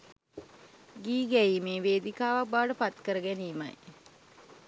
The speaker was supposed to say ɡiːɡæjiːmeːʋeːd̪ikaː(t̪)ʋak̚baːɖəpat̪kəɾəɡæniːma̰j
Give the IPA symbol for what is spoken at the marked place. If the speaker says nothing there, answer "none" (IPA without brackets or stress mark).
none